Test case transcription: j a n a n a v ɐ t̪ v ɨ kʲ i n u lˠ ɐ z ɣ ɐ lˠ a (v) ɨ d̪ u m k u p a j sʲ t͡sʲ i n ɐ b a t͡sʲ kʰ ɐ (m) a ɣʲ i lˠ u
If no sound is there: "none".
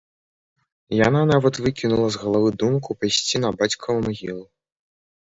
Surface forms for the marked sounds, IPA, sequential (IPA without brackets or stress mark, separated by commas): v, m